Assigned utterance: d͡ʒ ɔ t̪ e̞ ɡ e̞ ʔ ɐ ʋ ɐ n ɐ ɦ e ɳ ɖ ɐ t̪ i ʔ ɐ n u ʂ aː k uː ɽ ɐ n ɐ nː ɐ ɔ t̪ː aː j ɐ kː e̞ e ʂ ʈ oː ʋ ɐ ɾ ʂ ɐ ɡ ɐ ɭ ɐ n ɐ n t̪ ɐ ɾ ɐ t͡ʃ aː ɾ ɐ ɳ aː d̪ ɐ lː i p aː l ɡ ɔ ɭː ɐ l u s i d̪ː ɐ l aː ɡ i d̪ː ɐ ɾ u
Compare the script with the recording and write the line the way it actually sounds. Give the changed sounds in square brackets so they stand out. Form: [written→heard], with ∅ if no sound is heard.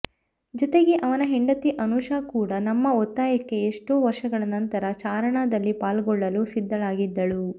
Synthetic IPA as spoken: d͡ʒ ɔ t̪ e̞ ɡ e̞ ʔ ɐ ʋ ɐ n ɐ ɦ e ɳ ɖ ɐ t̪ i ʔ ɐ n u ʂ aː k uː ɽ ɐ n ɐ [nː→mː] ɐ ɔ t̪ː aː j ɐ kː e̞ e ʂ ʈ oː ʋ ɐ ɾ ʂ ɐ ɡ ɐ ɭ ɐ n ɐ n t̪ ɐ ɾ ɐ t͡ʃ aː ɾ ɐ ɳ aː d̪ ɐ lː i p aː l ɡ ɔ ɭː ɐ l u s i d̪ː ɐ l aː ɡ i d̪ː ɐ [ɾ→ɭ] u